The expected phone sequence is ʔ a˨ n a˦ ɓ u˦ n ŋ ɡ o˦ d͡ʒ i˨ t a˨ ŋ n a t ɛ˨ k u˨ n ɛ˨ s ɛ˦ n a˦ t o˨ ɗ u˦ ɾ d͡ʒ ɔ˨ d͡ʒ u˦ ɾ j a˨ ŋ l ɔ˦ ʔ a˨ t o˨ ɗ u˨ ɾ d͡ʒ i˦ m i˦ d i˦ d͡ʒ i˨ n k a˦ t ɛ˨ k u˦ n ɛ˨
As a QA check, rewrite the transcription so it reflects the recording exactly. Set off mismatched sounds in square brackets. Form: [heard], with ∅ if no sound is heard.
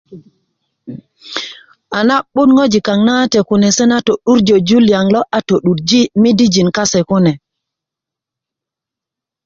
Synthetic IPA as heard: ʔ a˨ n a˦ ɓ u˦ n ŋ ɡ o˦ d͡ʒ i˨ [k] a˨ ŋ n a t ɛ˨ k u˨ n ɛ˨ s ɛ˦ n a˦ t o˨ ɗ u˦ ɾ d͡ʒ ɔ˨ d͡ʒ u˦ [l] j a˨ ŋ l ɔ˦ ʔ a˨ t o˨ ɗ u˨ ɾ d͡ʒ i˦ m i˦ d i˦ d͡ʒ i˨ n k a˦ [s] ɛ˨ k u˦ n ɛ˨